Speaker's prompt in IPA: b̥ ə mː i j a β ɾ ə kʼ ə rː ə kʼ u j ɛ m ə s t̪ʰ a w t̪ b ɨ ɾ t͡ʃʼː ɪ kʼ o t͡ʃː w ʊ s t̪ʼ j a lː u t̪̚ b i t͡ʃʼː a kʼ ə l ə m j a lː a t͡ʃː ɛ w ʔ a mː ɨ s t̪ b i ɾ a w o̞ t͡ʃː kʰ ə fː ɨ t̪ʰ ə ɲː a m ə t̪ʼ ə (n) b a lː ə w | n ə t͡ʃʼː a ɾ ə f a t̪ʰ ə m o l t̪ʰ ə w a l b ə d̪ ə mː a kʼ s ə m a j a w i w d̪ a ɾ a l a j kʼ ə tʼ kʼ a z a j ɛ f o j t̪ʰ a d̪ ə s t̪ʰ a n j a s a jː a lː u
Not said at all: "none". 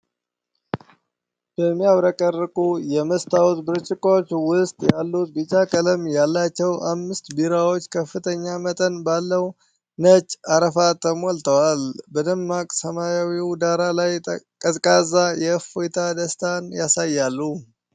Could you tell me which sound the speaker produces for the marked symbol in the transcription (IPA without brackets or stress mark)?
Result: n